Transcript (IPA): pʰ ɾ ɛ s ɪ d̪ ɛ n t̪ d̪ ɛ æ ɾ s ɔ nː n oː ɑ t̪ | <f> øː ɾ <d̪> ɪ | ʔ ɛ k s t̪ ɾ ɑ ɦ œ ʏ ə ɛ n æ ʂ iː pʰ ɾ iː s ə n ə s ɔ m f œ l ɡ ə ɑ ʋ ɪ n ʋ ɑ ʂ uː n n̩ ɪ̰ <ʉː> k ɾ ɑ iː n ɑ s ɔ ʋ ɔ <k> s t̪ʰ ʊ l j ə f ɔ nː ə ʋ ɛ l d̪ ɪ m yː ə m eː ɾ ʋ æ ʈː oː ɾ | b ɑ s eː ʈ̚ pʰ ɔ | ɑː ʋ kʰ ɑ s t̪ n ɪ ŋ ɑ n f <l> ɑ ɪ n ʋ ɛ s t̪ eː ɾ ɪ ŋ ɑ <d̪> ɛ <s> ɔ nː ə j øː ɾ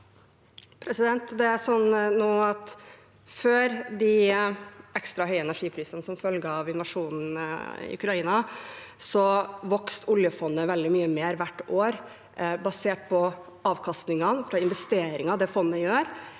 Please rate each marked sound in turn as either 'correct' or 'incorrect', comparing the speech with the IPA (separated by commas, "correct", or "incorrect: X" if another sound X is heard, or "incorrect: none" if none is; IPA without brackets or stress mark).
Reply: correct, correct, incorrect: ʉ, correct, incorrect: ɾ, correct, incorrect: f